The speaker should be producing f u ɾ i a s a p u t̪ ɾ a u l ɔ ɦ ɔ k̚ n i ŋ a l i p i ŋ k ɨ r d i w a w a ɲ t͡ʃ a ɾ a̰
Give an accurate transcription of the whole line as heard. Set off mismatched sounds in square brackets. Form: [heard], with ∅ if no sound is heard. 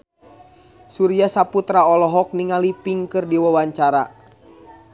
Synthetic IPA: [s] u ɾ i a s a p u t̪ ɾ a [ɔ] l ɔ ɦ ɔ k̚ n i ŋ a l i p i ŋ k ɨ r d i w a w a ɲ t͡ʃ a ɾ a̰